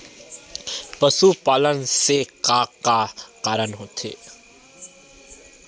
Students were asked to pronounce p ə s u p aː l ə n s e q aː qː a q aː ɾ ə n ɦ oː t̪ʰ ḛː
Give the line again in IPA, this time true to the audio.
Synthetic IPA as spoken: p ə s u p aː l ə n s e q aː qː a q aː ɾ ə n ɦ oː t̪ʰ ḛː